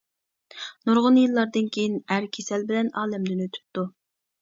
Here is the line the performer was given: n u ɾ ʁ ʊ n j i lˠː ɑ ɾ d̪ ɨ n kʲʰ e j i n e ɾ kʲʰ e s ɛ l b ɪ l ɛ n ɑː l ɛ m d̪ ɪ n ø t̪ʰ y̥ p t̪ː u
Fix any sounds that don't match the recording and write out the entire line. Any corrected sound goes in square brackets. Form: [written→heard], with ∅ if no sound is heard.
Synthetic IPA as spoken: n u ɾ ʁ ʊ n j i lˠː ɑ ɾ d̪ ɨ n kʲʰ e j i n [e→æ] ɾ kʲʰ e s ɛ l b ɪ l ɛ n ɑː l ɛ m d̪ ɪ n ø t̪ʰ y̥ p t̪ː u

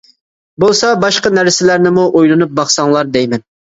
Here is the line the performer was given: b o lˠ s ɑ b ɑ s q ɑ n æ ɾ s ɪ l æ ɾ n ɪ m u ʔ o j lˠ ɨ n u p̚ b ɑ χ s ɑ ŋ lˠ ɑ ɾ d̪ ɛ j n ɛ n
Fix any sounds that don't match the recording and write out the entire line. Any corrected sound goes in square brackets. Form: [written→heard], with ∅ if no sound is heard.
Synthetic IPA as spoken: b o lˠ s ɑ b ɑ [s→ʃ] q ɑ n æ ɾ s ɪ l æ ɾ n ɪ m u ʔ o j lˠ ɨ n u p̚ b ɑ χ s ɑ ŋ lˠ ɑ ɾ d̪ ɛ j [n→m] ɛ n

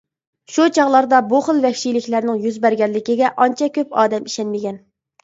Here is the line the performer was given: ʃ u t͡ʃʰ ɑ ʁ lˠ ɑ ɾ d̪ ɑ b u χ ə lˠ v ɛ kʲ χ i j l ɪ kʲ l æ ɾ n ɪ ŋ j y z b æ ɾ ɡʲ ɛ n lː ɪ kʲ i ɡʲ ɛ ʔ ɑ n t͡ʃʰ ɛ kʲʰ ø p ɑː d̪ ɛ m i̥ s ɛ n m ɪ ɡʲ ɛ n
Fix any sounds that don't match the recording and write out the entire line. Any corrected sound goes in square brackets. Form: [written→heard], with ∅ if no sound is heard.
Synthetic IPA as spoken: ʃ u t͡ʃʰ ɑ ʁ lˠ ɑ ɾ d̪ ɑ b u χ ə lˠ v ɛ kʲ [χ→ʃ] i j l ɪ kʲ l æ ɾ n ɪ ŋ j y z b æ ɾ ɡʲ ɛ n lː ɪ kʲ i ɡʲ ɛ ʔ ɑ n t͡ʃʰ ɛ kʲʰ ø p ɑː d̪ ɛ m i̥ [s→ʃ] ɛ n m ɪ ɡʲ ɛ n

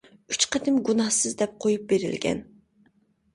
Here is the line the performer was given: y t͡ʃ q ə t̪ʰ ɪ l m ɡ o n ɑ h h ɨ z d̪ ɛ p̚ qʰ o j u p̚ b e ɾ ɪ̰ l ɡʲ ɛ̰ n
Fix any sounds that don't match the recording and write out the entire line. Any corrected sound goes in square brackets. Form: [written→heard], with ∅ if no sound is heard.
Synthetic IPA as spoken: y t͡ʃ q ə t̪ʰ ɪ [l→∅] m ɡ [o→u] n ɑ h [h→s] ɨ z d̪ ɛ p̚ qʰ o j u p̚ b e ɾ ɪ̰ l ɡʲ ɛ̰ n

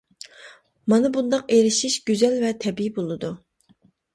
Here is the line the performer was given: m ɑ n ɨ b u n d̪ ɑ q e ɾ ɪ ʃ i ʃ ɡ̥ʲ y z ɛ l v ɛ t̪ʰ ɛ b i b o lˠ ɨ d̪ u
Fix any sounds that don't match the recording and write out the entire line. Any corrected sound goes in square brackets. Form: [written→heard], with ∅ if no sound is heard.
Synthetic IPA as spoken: m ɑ n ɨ b u n d̪ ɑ q e ɾ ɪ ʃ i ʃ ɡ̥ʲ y z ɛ l v ɛ t̪ʰ ɛ b i b o lˠ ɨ d̪ u

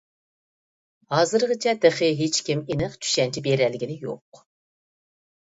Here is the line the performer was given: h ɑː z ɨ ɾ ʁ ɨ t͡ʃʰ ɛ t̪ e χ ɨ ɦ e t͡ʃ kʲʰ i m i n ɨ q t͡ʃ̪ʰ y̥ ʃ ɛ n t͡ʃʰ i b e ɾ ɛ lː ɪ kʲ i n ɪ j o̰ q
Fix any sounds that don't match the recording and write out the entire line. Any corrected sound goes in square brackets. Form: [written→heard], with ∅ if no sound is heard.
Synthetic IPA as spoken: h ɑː z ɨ ɾ ʁ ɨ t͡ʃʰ ɛ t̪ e χ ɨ ɦ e t͡ʃ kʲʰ i m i n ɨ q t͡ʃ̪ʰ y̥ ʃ ɛ n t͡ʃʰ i b e ɾ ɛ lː ɪ [kʲ→ɡʲ] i n ɪ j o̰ q

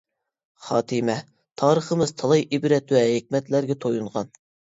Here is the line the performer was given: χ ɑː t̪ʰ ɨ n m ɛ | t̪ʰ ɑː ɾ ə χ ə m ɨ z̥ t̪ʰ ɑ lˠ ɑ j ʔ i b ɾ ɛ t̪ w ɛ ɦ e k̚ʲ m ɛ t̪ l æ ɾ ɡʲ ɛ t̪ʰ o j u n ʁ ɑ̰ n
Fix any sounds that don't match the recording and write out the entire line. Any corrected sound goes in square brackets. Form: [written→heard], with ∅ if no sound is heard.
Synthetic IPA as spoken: χ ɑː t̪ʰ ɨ [n→∅] m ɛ | t̪ʰ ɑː ɾ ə χ ə m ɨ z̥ t̪ʰ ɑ lˠ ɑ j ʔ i b ɾ ɛ t̪ w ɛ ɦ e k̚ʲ m ɛ t̪ l æ ɾ ɡʲ ɛ t̪ʰ o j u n ʁ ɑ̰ n

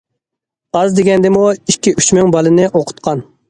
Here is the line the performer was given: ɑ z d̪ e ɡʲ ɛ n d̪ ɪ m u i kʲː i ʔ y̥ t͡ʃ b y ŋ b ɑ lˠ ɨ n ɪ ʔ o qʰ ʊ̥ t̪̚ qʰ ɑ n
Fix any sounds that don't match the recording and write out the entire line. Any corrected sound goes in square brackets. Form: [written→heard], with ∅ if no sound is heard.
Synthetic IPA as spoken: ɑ z d̪ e ɡʲ ɛ n d̪ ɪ m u i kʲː i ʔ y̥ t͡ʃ [b→m] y ŋ b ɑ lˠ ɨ n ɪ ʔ o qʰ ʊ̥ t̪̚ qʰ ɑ n

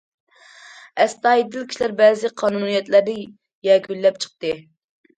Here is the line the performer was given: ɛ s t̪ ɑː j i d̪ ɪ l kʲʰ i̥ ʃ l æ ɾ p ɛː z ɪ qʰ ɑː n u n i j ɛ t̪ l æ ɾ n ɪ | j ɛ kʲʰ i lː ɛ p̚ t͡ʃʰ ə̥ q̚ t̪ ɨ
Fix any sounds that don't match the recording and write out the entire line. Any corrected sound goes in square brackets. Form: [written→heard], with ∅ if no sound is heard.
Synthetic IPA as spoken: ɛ s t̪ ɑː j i d̪ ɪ l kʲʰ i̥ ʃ l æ ɾ [p→b] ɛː z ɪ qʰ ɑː n u n i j ɛ t̪ l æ ɾ n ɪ | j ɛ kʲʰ [i→y] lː ɛ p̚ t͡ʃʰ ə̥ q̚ t̪ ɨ

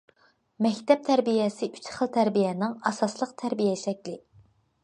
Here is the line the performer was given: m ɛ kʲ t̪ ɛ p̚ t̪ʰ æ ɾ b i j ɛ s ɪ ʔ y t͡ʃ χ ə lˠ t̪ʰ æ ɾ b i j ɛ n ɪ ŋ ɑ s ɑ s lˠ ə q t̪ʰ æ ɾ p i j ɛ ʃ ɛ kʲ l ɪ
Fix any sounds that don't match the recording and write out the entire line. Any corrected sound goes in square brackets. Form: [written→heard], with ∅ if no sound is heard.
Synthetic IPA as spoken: m ɛ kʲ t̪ ɛ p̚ t̪ʰ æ ɾ b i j ɛ s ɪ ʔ y t͡ʃ χ ə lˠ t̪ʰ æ ɾ b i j ɛ n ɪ ŋ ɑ s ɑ s lˠ ə q t̪ʰ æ ɾ [p→b] i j ɛ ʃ ɛ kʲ l ɪ

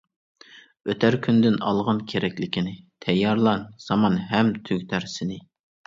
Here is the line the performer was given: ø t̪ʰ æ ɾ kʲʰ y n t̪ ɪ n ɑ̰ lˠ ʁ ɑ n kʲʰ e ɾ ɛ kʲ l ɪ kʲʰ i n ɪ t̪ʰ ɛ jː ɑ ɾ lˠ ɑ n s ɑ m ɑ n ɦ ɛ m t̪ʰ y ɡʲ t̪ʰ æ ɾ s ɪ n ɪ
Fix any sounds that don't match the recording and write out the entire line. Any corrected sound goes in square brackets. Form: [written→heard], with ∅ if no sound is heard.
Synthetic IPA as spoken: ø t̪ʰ æ ɾ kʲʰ y n [t̪→d̪] ɪ n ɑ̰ lˠ ʁ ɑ n kʲʰ e ɾ ɛ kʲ l ɪ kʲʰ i n ɪ t̪ʰ ɛ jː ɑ ɾ lˠ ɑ n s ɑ m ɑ n ɦ ɛ m t̪ʰ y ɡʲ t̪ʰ æ ɾ s ɪ n ɪ

